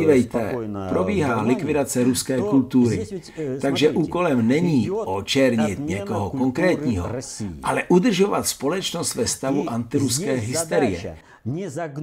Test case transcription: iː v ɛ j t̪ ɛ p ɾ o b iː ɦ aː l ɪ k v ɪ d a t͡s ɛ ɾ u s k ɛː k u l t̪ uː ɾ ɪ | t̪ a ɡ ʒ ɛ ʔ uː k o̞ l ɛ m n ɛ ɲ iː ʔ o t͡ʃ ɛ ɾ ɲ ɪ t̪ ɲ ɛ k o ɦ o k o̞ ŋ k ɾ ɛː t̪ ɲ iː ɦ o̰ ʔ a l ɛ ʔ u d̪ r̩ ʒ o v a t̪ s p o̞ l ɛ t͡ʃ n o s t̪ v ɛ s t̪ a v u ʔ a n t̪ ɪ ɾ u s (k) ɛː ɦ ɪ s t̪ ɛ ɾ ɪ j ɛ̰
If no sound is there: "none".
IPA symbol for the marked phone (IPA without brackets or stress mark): k